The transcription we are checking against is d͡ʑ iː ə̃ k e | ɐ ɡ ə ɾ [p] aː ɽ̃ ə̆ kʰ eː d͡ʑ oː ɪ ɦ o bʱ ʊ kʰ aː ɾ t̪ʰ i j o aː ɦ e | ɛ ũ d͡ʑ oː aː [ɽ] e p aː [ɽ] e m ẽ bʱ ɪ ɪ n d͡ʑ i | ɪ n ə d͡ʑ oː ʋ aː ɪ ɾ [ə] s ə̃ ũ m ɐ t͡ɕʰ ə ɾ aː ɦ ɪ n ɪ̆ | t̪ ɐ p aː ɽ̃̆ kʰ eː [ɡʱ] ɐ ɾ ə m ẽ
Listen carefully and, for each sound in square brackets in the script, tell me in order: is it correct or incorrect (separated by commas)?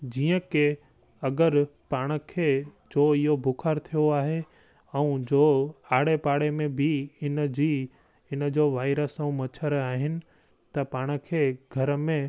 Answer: correct, correct, correct, correct, correct